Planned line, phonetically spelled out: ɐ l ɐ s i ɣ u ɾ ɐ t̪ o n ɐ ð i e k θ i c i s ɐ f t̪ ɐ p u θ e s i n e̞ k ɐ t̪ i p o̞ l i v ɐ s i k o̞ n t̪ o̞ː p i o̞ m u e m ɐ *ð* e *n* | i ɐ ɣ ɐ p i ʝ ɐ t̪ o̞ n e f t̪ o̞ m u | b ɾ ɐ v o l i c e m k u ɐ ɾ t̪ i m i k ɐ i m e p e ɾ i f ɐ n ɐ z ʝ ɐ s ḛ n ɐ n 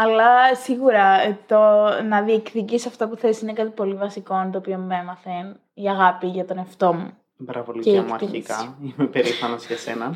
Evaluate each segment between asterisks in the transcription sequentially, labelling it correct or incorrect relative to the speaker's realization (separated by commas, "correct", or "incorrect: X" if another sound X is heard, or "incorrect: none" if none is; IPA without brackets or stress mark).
incorrect: θ, correct